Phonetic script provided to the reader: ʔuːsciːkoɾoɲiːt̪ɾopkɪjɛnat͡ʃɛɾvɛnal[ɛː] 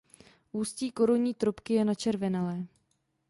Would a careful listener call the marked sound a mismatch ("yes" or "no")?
no